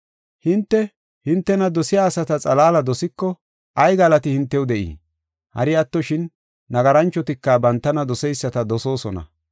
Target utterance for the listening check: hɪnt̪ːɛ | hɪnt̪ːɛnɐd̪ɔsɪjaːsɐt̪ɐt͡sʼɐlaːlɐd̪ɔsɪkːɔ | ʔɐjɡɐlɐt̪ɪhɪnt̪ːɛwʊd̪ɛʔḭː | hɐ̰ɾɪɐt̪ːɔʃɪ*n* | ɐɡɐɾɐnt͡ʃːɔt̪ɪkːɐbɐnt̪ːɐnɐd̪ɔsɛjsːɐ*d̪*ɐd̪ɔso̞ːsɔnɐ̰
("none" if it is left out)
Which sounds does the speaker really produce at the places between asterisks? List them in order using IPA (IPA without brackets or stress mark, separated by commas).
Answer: nː, t̪